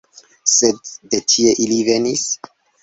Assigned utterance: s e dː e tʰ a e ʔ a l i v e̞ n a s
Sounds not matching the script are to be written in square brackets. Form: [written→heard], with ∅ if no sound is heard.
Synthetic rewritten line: s e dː e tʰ [a→i] e ʔ [a→i] l i v e̞ n [a→i] s

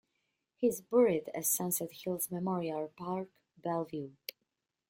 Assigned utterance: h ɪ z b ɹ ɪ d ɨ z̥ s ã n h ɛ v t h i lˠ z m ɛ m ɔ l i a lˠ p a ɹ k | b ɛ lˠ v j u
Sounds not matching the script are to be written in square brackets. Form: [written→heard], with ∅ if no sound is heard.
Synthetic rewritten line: h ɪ z b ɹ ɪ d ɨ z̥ s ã n [h→s] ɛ [v→∅] t h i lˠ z m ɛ m ɔ [l→ɹ] i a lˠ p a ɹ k | b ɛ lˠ v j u

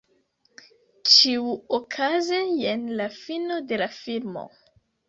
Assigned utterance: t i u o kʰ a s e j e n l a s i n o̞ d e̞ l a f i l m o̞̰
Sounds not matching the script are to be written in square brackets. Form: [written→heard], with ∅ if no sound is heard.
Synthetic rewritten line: [t→t͡ʃ] i u o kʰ a [s→z] e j e n l a [s→f] i n o̞ d e̞ l a f i l m o̞̰

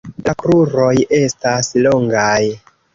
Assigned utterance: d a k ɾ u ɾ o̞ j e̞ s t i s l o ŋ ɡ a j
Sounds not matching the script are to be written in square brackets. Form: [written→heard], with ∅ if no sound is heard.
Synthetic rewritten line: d a k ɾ u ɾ o̞ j e̞ s t [i→a] s l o ŋ ɡ a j

